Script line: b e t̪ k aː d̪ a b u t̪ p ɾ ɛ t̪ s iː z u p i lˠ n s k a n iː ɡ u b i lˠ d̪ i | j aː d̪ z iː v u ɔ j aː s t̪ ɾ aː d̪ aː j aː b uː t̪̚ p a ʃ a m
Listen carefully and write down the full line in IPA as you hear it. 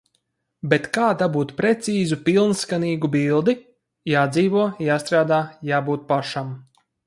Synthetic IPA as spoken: b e t̪ k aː d̪ a b uː t̪ p ɾ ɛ t̪ s iː z u p i lˠ n s k a n iː ɡ u b i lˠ d̪ i | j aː d̪ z iː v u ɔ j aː s t̪ ɾ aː d̪ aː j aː b uː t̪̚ p a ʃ a m